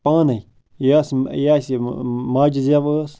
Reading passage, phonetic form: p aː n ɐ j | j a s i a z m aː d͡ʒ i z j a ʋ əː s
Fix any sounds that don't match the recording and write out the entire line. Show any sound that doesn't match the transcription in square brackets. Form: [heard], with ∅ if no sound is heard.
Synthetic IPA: p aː n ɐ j | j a s [j] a [s] m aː d͡ʒ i z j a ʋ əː s